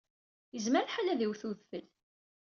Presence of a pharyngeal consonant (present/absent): present